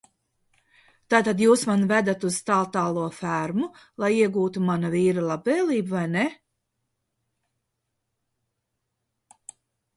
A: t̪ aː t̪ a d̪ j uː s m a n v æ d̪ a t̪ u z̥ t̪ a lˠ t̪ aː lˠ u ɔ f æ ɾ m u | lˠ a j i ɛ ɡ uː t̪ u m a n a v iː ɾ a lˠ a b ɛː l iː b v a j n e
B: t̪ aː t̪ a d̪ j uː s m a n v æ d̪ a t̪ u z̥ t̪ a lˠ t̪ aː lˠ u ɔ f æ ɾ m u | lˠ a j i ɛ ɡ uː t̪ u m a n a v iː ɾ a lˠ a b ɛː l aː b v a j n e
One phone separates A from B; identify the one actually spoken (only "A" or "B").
A